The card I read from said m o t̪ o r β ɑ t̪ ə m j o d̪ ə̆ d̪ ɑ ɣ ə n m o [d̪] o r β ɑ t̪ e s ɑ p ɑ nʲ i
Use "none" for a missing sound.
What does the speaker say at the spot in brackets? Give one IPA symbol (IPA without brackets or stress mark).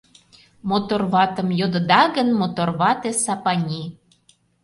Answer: t̪